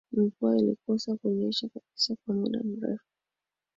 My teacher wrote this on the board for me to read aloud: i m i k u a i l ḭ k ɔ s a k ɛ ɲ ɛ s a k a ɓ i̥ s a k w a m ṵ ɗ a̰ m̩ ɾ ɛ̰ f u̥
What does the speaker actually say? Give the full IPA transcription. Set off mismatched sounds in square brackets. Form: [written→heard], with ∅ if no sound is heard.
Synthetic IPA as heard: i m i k u a i l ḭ k ɔ s a k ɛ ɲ ɛ [s→ʃ] a k a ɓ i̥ s a k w a m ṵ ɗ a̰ m̩ ɾ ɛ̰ f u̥